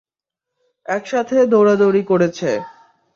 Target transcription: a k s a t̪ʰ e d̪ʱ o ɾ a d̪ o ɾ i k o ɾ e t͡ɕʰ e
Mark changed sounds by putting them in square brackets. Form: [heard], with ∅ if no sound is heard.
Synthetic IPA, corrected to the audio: [ɛ] k [ʃ] a t̪ʰ e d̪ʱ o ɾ a d̪ o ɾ i k o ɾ e t͡ɕʰ e